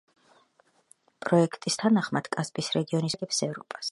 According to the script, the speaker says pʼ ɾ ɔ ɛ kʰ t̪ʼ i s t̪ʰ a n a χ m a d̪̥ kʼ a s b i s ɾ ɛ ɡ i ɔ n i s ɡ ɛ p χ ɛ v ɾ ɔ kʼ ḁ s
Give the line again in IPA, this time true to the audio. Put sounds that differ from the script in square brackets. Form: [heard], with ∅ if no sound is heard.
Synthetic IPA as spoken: pʼ ɾ ɔ ɛ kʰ t̪ʼ i s t̪ʰ a n a χ m a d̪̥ kʼ a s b i s ɾ ɛ ɡ i ɔ n i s ɡ ɛ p [s] ɛ v ɾ ɔ [pʼ] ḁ s

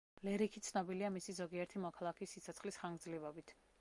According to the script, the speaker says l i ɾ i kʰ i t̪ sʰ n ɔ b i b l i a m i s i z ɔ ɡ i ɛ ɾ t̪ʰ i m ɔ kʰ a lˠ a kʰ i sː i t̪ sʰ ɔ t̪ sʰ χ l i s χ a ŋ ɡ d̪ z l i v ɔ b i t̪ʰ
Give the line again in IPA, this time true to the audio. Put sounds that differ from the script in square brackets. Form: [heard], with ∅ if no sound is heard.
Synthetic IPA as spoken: l [ɛ] ɾ i kʰ i t̪ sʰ n ɔ b i [∅] l i a m i s i z ɔ ɡ i ɛ ɾ t̪ʰ i m ɔ kʰ a lˠ a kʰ i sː i t̪ sʰ ɔ t̪ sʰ χ l i s χ a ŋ ɡ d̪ z l i v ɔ b i t̪ʰ

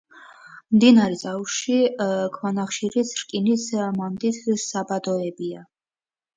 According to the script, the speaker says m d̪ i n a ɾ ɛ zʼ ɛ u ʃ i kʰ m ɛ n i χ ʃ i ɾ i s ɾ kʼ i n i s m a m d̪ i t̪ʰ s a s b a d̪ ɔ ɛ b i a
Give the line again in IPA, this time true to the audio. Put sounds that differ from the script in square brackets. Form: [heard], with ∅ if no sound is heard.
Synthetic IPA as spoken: m d̪ i n a ɾ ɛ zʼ [a] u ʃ i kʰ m [a] n [a] χ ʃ i ɾ i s ɾ kʼ i n i s m a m d̪ i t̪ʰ s a [∅] b a d̪ ɔ ɛ b i a

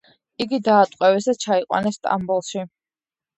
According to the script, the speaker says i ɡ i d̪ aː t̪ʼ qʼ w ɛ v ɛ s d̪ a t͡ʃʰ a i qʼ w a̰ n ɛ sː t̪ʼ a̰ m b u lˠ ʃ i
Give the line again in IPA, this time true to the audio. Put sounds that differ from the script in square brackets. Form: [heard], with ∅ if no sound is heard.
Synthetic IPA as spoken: i ɡ i d̪ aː t̪ʼ qʼ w ɛ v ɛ s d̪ a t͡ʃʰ a i qʼ w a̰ n ɛ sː t̪ʼ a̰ m b u lˠ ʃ i

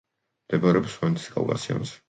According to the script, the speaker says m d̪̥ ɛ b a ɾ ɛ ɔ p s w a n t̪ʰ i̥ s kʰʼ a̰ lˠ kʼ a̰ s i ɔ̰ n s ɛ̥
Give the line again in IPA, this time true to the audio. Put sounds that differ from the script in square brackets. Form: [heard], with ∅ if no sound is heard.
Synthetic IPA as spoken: m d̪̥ ɛ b a ɾ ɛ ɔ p s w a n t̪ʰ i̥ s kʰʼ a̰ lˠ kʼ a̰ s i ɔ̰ n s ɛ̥

